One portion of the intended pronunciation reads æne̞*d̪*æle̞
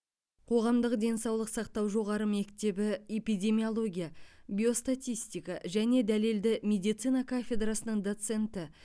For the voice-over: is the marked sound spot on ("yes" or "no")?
yes